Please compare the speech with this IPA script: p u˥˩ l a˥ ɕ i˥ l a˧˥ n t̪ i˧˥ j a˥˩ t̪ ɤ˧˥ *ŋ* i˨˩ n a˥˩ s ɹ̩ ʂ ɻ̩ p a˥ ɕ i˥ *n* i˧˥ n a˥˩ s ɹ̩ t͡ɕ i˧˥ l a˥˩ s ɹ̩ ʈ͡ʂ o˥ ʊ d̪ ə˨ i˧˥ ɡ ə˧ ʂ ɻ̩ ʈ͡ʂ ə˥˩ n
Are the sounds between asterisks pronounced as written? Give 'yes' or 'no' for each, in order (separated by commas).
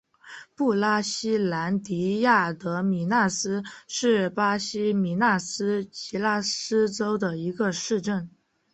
no, no